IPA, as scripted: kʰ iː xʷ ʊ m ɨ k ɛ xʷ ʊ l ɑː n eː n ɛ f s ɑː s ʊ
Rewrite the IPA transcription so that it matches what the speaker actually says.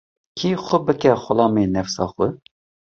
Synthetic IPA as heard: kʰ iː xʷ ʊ b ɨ k ɛ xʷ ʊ l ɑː m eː n ɛ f s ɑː x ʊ